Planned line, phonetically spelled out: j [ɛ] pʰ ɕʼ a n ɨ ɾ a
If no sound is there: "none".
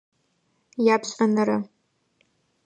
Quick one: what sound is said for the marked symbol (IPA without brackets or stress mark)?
a